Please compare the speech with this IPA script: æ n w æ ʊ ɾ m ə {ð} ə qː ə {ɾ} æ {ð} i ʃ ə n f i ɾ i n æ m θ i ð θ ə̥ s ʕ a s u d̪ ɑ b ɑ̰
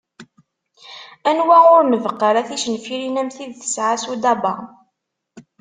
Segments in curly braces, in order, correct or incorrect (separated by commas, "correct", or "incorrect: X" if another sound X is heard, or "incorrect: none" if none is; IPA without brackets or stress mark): incorrect: v, correct, incorrect: θ